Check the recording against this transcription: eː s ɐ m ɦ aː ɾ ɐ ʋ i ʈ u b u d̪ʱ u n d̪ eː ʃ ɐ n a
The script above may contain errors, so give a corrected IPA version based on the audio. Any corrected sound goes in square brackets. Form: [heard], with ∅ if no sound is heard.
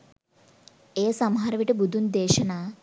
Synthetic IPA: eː s ɐ m ɦ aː ɾ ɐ ʋ i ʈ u b u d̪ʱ u n d̪ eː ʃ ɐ n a